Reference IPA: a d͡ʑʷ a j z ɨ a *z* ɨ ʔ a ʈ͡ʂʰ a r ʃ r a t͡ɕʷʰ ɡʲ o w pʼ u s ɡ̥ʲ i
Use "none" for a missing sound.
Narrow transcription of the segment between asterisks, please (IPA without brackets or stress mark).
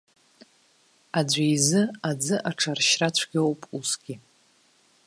d͡z